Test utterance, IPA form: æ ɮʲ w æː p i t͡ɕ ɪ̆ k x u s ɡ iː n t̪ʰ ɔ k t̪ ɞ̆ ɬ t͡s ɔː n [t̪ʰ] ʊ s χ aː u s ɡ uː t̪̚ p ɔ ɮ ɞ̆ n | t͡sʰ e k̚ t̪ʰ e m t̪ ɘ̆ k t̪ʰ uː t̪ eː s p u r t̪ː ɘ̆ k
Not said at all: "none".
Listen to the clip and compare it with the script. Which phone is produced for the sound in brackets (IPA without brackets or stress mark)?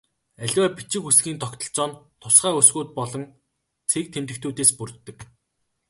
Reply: t̪ʰ